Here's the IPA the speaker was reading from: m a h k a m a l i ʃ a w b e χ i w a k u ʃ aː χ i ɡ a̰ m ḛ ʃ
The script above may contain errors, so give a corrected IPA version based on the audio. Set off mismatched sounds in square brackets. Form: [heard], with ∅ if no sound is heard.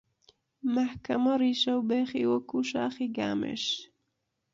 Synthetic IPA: m a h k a m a [ɾ] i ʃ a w b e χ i w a k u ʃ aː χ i ɡ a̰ m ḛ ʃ